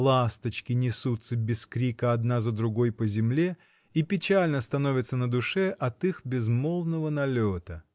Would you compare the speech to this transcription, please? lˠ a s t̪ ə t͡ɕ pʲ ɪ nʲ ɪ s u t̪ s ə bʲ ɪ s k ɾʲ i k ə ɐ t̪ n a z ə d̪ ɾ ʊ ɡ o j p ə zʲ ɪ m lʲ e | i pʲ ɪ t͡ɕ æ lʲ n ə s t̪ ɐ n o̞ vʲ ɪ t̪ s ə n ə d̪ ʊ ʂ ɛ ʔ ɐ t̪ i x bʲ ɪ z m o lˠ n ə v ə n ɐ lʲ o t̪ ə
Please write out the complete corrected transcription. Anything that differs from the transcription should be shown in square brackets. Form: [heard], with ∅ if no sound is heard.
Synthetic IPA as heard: lˠ a s t̪ ə t͡ɕ [kʲ] ɪ nʲ ɪ s u t̪ s ə bʲ ɪ s k ɾʲ i k ə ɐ [d̪] n a z ə d̪ ɾ ʊ ɡ o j p ə zʲ ɪ m lʲ e | i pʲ ɪ t͡ɕ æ lʲ n ə s t̪ ɐ n o̞ vʲ ɪ t̪ s ə n ə d̪ ʊ ʂ ɛ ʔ ɐ t̪ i x bʲ ɪ z m o lˠ n ə v ə n ɐ lʲ o t̪ ə